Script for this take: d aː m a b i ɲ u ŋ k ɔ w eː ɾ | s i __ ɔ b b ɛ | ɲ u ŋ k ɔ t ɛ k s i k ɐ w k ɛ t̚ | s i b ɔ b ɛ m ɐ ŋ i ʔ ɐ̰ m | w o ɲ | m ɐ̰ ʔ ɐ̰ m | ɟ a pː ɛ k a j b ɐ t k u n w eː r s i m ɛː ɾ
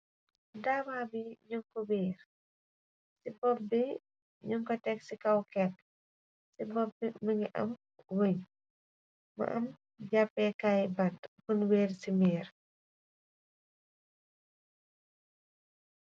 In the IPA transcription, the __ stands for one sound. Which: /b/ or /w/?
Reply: b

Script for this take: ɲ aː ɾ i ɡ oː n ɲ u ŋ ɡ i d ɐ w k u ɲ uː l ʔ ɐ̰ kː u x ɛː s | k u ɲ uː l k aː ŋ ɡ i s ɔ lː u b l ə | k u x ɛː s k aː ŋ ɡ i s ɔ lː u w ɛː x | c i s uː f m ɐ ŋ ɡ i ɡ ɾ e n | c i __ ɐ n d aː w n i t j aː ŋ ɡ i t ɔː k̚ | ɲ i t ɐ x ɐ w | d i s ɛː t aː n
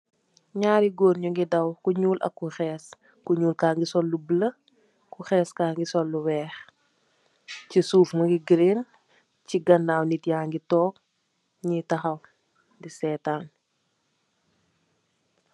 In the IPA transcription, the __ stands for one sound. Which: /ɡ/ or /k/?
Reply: ɡ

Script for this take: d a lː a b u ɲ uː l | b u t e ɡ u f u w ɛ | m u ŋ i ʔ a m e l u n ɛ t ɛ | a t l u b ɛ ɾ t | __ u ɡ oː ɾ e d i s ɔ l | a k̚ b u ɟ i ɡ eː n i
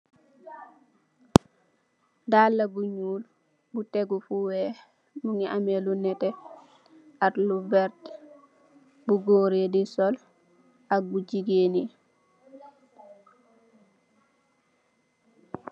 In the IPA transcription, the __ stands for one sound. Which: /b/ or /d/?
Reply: b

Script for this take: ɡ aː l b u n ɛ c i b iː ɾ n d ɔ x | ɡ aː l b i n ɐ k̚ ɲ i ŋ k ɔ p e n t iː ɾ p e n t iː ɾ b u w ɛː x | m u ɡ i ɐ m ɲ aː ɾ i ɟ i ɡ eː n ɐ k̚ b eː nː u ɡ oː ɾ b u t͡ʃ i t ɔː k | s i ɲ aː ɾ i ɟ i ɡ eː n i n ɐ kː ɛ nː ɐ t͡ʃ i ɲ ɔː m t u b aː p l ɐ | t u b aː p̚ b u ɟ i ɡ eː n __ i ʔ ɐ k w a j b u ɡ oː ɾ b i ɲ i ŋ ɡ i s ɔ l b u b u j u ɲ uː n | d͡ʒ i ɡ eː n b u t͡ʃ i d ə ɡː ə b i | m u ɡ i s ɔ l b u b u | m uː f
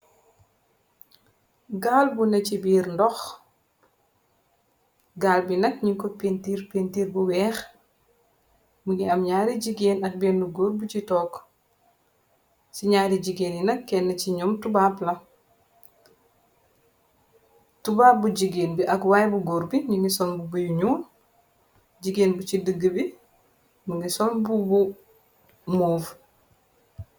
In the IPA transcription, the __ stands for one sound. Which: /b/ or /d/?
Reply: b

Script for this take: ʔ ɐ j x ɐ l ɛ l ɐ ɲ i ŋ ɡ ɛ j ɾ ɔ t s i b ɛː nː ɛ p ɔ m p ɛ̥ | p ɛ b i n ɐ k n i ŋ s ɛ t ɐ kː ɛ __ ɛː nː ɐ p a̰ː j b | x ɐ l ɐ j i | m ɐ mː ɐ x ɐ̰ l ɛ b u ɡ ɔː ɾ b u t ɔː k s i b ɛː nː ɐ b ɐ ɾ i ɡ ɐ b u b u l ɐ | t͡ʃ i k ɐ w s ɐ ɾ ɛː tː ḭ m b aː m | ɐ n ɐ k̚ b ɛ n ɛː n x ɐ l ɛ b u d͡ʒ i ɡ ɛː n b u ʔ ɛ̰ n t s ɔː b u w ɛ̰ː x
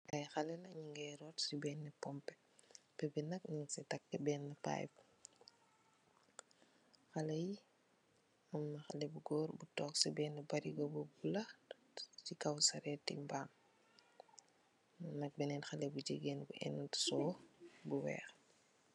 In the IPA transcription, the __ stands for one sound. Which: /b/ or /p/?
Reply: b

